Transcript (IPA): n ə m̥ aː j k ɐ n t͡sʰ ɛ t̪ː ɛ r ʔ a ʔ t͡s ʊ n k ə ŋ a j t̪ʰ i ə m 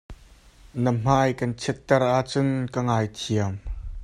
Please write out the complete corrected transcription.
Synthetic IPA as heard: n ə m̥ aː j k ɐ n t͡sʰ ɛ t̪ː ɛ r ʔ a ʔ t͡s ʊ n k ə ŋ a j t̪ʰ i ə m